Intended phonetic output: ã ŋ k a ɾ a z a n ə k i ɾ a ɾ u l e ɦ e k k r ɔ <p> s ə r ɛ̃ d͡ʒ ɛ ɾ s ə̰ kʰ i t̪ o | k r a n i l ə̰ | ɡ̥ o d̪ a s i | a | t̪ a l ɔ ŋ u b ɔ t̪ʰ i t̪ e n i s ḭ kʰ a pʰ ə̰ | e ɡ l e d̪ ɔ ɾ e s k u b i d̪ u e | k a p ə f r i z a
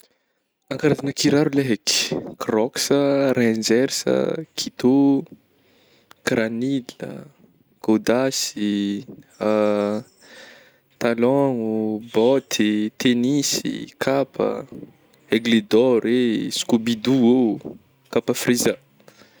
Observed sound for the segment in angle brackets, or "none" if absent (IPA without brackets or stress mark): k